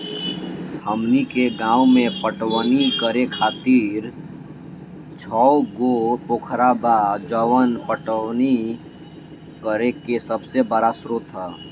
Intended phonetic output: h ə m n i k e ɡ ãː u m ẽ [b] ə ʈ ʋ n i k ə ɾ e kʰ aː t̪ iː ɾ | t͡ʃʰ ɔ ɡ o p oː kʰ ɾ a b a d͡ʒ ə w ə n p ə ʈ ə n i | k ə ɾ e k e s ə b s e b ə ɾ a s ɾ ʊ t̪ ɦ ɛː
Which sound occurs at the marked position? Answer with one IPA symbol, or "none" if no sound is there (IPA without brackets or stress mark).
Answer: p